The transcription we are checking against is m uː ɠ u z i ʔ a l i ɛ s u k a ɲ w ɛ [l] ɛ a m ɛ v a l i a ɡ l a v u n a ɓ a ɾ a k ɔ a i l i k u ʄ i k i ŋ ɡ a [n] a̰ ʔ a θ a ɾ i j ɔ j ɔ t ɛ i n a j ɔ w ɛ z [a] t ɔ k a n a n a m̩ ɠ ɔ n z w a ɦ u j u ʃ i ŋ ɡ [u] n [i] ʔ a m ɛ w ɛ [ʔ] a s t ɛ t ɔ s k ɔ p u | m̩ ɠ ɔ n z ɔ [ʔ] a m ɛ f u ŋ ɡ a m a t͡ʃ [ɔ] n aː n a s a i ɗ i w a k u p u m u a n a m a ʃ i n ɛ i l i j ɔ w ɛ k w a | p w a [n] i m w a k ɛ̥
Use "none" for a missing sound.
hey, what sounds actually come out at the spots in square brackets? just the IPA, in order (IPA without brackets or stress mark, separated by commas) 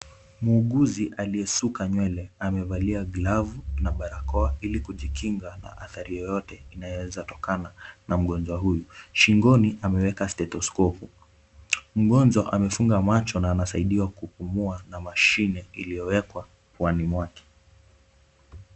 l, n, a, ɔ, i, k, ʔ, ɔ, n